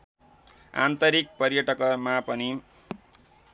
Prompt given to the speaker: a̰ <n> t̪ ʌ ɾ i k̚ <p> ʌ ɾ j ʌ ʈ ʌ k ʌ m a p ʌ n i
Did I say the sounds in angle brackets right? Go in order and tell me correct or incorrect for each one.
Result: correct, correct

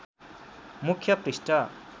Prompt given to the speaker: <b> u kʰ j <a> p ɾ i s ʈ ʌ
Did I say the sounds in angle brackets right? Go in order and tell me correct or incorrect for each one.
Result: incorrect: m, incorrect: ʌ

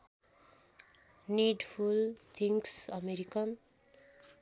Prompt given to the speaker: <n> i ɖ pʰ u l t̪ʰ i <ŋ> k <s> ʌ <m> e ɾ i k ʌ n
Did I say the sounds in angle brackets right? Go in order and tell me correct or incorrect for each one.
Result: correct, correct, correct, correct

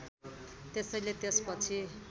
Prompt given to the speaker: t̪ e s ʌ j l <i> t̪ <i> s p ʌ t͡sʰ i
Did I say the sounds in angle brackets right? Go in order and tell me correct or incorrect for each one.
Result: incorrect: e, incorrect: e

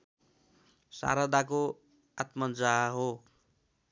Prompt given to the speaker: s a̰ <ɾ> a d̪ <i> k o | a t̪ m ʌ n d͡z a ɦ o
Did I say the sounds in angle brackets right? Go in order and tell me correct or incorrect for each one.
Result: correct, incorrect: a

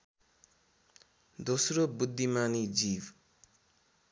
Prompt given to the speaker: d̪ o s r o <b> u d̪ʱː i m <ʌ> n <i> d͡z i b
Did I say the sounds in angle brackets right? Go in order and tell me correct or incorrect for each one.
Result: correct, incorrect: a, correct

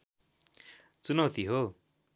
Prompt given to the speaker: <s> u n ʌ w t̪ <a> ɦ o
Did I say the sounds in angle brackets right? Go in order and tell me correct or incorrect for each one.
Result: incorrect: t͡s, incorrect: i

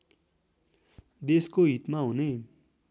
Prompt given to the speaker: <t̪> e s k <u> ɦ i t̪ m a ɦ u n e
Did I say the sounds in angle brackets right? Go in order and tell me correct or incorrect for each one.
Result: incorrect: d̪, incorrect: o

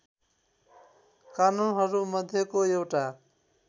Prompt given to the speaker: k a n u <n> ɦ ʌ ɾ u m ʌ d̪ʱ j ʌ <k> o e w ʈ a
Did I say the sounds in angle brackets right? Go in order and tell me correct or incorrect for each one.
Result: correct, correct

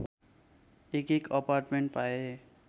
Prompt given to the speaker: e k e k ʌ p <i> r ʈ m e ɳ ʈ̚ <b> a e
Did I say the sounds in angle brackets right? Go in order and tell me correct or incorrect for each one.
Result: incorrect: a, incorrect: p

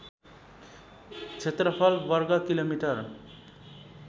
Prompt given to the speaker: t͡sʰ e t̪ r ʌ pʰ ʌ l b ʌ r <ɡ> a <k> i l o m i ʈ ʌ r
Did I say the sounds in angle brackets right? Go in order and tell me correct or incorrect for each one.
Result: correct, correct

